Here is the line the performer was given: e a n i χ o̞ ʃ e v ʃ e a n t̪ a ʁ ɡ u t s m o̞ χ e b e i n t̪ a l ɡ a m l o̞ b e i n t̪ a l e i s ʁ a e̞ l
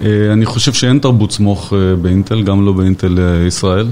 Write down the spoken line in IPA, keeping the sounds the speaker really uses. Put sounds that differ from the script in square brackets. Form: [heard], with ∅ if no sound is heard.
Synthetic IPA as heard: e a n i χ o̞ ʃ e v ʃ e [e] n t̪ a ʁ [b] u t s m o̞ χ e b e i n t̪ [e] l ɡ a m l o̞ b e i n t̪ [e] l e i s ʁ a e̞ l